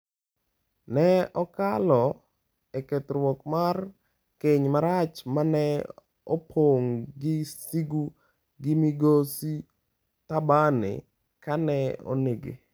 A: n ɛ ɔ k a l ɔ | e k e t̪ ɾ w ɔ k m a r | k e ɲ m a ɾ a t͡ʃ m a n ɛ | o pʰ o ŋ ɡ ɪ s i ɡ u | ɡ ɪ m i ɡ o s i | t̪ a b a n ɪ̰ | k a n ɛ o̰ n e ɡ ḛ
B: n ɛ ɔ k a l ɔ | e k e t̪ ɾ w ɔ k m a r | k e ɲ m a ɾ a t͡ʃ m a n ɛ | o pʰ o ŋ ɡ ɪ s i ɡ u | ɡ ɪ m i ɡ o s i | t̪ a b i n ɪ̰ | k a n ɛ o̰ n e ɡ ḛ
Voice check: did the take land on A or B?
A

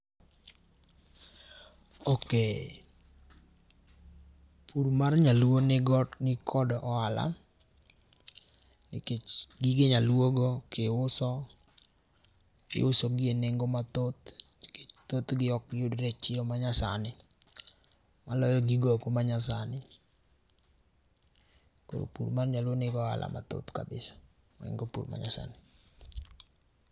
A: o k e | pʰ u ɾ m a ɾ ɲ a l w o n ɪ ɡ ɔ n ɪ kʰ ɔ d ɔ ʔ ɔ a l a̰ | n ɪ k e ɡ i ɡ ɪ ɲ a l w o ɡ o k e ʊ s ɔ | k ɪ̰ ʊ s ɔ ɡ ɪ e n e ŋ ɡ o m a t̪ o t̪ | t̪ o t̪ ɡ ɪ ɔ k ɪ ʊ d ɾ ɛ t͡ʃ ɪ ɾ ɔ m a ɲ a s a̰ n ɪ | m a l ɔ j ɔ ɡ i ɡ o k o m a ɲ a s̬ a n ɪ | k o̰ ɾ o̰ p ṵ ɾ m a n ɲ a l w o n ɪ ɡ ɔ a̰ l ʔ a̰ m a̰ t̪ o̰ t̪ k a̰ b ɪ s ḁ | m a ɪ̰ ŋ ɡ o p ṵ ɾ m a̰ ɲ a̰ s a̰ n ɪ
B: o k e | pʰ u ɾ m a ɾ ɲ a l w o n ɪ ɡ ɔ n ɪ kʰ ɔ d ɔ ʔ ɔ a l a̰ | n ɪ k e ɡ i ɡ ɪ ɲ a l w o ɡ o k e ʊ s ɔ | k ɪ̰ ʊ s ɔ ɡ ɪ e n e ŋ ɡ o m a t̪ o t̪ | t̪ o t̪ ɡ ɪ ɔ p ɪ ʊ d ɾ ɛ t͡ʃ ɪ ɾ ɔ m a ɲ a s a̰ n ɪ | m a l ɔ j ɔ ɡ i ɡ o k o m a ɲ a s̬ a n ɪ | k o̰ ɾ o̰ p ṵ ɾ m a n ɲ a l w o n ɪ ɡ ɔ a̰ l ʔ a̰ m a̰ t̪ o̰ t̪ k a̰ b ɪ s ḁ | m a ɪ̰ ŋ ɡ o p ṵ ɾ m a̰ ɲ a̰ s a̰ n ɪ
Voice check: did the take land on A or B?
A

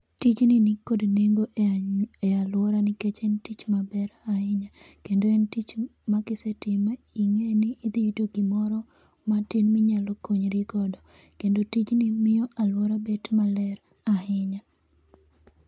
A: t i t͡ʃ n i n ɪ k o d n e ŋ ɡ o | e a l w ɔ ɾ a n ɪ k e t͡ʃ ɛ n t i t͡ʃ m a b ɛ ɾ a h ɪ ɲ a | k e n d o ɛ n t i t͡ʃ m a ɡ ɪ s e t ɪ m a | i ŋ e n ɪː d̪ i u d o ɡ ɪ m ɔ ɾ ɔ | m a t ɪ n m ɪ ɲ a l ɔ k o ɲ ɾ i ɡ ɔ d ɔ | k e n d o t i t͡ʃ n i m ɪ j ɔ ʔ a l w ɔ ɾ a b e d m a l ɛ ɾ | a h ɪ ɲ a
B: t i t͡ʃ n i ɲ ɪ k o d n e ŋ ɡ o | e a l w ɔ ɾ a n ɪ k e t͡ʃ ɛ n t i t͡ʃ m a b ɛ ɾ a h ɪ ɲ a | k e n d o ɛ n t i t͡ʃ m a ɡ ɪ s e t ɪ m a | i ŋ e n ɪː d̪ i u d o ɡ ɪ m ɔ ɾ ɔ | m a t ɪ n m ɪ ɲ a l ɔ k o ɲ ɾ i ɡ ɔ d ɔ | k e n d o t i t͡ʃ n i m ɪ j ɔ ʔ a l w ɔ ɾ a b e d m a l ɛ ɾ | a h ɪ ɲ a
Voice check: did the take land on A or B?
A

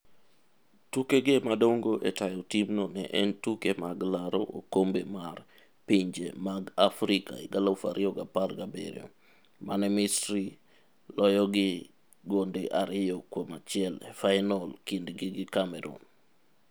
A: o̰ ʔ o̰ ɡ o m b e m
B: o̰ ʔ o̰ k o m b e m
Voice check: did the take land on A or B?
B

